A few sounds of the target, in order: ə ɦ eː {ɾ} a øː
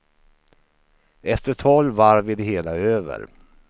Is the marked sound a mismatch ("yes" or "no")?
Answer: yes